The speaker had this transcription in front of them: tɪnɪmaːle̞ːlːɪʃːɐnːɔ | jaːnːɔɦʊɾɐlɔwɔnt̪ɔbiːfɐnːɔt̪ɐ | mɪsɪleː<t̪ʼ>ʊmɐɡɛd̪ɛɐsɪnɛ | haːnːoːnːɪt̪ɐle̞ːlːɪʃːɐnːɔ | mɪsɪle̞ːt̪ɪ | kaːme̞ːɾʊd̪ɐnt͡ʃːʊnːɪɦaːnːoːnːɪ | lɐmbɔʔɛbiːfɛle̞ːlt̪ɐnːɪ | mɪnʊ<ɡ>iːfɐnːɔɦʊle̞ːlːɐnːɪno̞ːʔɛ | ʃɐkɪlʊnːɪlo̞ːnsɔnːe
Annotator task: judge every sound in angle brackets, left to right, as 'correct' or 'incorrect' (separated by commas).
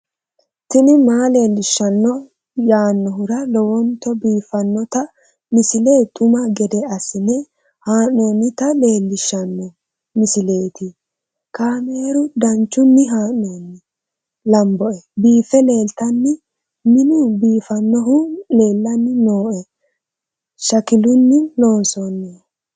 correct, incorrect